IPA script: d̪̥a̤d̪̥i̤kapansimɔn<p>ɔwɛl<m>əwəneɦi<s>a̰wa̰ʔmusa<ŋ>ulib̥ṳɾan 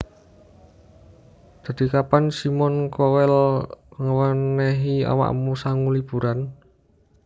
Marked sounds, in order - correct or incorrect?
incorrect: k, incorrect: ŋ, incorrect: none, correct

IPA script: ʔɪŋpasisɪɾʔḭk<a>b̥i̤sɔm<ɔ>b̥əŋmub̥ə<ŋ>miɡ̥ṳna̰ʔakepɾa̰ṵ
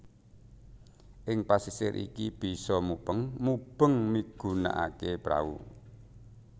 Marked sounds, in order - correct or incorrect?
incorrect: i, incorrect: u, correct

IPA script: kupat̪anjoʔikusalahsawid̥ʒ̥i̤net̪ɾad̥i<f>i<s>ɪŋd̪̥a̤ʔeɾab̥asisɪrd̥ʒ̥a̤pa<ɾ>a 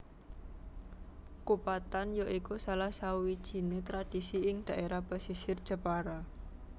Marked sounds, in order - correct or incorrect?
incorrect: s, incorrect: none, correct

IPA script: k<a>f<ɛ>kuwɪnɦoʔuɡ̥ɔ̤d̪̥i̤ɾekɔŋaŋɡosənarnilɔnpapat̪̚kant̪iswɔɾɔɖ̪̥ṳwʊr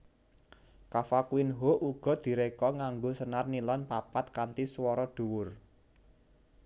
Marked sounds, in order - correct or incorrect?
correct, incorrect: a

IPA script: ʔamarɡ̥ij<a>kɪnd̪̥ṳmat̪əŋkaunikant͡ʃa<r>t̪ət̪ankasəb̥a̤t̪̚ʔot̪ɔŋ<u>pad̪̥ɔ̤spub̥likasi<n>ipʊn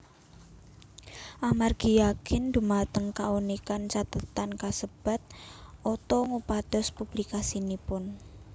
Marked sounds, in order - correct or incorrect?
correct, incorrect: none, correct, correct

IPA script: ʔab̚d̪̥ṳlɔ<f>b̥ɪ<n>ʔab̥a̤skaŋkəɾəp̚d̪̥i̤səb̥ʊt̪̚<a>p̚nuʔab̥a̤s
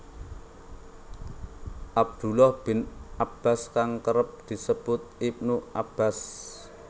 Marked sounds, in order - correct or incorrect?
incorrect: h, correct, incorrect: i

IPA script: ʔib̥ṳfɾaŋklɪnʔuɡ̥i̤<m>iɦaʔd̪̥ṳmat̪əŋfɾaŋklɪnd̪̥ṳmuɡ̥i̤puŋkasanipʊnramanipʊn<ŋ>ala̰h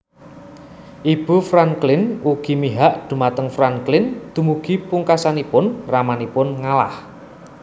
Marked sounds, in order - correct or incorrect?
correct, correct

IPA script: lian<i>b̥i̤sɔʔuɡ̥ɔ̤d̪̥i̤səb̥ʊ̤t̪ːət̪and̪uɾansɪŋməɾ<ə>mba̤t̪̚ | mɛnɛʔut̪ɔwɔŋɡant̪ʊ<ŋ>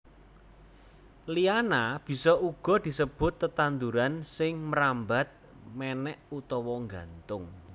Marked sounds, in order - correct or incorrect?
incorrect: a, incorrect: a, correct

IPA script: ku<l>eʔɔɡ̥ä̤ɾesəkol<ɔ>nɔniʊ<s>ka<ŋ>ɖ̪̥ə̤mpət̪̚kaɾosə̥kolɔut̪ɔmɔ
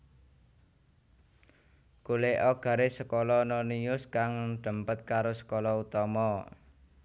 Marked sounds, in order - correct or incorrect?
correct, correct, correct, correct

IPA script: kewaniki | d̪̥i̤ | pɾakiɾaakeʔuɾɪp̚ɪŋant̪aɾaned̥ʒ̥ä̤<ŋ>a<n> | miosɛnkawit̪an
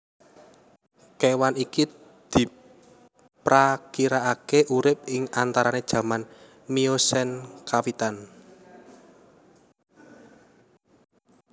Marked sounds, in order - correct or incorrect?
incorrect: m, correct

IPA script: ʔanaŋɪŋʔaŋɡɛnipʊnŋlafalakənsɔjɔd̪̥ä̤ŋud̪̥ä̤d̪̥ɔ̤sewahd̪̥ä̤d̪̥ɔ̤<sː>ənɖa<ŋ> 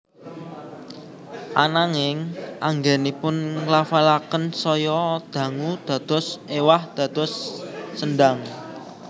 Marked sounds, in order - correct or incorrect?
correct, correct

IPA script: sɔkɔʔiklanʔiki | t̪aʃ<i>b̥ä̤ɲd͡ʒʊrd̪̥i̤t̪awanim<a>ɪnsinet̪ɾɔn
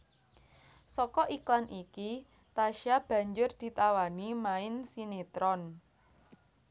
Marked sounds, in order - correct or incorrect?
incorrect: a, correct

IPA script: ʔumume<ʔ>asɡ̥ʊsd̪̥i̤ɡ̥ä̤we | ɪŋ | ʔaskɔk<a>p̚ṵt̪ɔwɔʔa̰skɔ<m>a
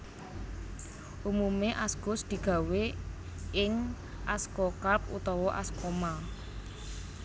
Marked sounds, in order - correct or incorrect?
correct, correct, correct

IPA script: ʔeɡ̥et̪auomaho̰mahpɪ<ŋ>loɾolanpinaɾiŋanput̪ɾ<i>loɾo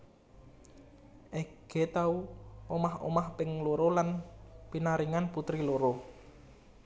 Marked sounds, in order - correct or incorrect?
correct, correct

